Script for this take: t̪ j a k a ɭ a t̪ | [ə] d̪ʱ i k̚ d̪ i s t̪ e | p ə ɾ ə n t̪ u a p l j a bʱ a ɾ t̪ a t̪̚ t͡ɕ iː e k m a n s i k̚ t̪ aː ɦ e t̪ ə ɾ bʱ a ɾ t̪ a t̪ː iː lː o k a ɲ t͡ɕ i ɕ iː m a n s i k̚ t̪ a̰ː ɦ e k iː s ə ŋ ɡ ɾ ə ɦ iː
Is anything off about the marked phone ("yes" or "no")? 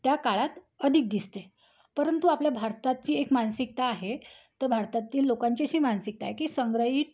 no